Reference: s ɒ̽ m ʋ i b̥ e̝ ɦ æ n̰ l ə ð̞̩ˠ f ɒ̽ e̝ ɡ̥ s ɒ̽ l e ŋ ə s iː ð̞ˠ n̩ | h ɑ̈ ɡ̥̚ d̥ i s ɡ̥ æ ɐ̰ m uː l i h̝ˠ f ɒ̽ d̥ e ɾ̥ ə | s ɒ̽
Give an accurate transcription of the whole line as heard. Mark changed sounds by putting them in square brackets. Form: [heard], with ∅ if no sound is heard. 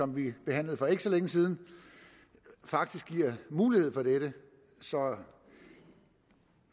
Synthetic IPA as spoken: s ɒ̽ m ʋ i b̥ e̝ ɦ æ n̰ l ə ð̞̩ˠ f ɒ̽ e̝ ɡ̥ s ɒ̽ l e ŋ ə s iː ð̞ˠ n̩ | [f] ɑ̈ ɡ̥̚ d̥ i s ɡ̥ [i] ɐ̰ m uː l i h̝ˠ f ɒ̽ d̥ e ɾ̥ ə | s ɒ̽

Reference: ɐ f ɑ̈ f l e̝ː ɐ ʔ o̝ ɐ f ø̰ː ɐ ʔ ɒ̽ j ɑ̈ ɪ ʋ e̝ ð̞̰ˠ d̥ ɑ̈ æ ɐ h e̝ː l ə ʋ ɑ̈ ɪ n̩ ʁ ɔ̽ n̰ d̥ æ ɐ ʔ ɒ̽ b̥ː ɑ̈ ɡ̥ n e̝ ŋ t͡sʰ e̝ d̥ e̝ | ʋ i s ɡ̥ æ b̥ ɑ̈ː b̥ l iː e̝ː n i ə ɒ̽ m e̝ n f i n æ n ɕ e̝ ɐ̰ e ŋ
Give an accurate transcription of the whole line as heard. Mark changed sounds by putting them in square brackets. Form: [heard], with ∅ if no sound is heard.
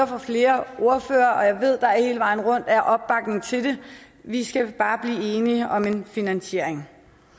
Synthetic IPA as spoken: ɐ f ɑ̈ f l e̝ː ɐ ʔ o̝ ɐ f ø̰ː ɐ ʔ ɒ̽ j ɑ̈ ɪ ʋ e̝ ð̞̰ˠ d̥ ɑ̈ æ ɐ h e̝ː l ə ʋ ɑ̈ ɪ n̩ ʁ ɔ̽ n̰ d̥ æ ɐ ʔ ɒ̽ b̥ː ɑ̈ ɡ̥ n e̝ ŋ t͡sʰ e̝ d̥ e̝ | ʋ i s ɡ̥ æ b̥ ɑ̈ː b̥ l iː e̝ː n i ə ɒ̽ m e̝ n f i n æ n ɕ e̝ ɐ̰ e ŋ

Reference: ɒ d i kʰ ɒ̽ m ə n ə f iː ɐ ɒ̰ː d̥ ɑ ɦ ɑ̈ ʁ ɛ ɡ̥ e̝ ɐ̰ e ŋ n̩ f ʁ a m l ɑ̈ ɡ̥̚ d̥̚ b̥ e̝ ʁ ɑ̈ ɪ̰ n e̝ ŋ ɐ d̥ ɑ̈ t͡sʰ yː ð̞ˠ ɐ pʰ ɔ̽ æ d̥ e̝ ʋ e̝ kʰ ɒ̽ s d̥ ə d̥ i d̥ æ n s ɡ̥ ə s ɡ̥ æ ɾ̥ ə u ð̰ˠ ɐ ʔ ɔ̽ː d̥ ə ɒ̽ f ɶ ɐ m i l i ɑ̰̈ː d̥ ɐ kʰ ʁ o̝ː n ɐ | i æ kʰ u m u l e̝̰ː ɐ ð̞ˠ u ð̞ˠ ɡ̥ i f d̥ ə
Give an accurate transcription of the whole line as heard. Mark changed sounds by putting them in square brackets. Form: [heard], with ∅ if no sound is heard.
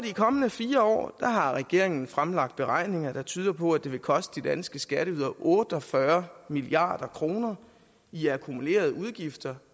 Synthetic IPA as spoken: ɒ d i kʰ ɒ̽ m ə n ə f iː ɐ ɒ̰ː d̥ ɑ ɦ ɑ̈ ʁ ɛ ɡ̥ e̝ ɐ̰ e ŋ n̩ f ʁ a m l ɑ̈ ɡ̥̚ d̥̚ b̥ e̝ ʁ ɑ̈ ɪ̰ n e̝ ŋ ɐ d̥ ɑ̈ t͡sʰ yː ð̞ˠ ɐ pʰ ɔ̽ æ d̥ e̝ ʋ e̝ kʰ ɒ̽ s d̥ ə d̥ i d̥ æ n s ɡ̥ ə s ɡ̥ æ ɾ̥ ə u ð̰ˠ ɐ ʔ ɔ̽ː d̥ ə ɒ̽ f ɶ ɐ m i l i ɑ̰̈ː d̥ ɐ kʰ ʁ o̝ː n ɐ | i æ kʰ u m u l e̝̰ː ɐ ð̞ˠ u ð̞ˠ ɡ̥ i f d̥ [ɐ]

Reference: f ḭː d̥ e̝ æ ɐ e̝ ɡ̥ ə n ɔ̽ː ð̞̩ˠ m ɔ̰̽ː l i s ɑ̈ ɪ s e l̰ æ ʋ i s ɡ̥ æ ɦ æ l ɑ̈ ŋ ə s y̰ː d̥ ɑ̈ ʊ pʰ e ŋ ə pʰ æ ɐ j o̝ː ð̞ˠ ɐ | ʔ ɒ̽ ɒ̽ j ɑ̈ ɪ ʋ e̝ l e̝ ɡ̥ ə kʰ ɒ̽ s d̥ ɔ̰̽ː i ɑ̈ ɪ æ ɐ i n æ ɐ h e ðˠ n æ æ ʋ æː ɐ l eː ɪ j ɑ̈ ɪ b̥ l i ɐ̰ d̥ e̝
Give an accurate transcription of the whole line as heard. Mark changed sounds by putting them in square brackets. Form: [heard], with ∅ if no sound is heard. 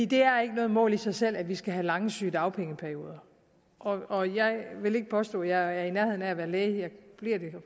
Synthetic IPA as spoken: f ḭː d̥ e̝ æ ɐ e̝ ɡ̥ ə n ɔ̽ː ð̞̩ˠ m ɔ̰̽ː l i s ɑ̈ ɪ s e l̰ æ ʋ i s ɡ̥ æ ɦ æ l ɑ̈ ŋ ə s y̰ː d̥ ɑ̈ ʊ pʰ e ŋ ə pʰ æ ɐ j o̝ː ð̞ˠ ɐ | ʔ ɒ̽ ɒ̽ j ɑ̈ ɪ ʋ e̝ l e̝ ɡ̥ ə [pʰ] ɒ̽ s d̥ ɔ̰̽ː [j] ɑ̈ ɪ æ ɐ i n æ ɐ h e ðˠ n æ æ ʋ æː ɐ l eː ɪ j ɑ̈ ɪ b̥ l i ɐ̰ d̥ e̝

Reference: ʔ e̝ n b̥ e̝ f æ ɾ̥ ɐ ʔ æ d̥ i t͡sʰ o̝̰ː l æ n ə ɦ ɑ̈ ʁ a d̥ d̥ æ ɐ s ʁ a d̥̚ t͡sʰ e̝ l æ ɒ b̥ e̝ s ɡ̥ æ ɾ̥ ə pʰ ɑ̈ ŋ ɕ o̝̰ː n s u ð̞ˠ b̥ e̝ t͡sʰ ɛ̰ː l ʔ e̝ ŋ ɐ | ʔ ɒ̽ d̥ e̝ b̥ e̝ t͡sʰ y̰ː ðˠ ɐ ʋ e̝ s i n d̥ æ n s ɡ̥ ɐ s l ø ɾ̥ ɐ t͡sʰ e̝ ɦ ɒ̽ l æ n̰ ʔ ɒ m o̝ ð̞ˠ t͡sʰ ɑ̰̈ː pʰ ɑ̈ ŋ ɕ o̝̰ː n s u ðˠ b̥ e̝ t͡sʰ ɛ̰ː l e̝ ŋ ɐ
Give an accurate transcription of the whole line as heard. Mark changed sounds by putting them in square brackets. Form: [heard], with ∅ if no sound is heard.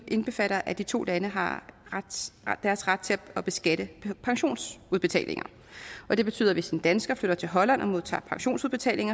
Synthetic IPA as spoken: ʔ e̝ n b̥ e̝ f æ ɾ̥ ɐ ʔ æ d̥ i t͡sʰ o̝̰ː l æ n ə ɦ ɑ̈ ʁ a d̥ d̥ æ ɐ s ʁ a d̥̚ t͡sʰ e̝ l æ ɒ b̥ e̝ s ɡ̥ æ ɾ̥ ə pʰ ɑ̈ ŋ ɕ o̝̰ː n s u ð̞ˠ b̥ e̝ t͡sʰ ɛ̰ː l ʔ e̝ ŋ ɐ | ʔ ɒ̽ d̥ e̝ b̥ e̝ t͡sʰ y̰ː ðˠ ɐ ʋ e̝ s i n d̥ æ n s ɡ̥ ɐ [f] l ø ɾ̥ ɐ t͡sʰ e̝ ɦ ɒ̽ l æ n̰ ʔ ɒ m o̝ ð̞ˠ t͡sʰ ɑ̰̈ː pʰ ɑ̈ ŋ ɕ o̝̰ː n s u ðˠ b̥ e̝ t͡sʰ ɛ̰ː l e̝ ŋ ɐ

